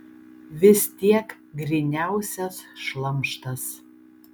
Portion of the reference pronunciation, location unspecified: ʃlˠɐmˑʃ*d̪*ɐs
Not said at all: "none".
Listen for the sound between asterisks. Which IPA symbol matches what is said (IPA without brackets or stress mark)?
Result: t̪